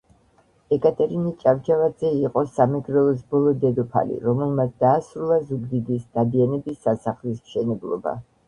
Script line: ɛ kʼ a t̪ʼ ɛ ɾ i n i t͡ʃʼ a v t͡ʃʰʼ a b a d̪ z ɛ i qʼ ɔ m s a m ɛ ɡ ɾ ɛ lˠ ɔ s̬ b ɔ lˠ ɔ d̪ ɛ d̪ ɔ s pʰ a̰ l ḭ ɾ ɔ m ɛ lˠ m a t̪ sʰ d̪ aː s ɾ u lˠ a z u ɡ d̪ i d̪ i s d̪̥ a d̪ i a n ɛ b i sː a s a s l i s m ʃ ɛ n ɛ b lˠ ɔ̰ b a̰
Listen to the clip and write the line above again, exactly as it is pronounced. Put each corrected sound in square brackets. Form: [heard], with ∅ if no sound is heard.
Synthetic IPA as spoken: ɛ kʼ a t̪ʼ ɛ ɾ i n i t͡ʃʼ a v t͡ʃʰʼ a [v] a d̪ z ɛ i qʼ ɔ [∅] s a m ɛ ɡ ɾ ɛ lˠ ɔ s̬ b ɔ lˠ ɔ d̪ ɛ d̪ ɔ [∅] pʰ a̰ l ḭ ɾ ɔ m ɛ lˠ m a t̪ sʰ d̪ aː s ɾ u lˠ a z u ɡ d̪ i d̪ i s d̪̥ a d̪ i a n ɛ b i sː a s a [χ] l i s m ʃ ɛ n ɛ b lˠ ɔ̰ b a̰